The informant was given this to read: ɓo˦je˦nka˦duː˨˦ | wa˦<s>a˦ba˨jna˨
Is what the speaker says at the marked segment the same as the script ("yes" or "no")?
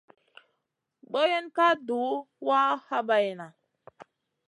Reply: no